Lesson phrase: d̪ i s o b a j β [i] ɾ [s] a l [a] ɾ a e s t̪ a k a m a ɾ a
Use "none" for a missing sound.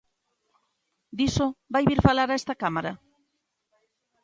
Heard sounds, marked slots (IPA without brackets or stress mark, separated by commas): i, f, a